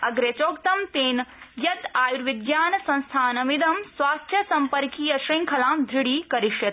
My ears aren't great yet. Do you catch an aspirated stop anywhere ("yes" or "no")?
yes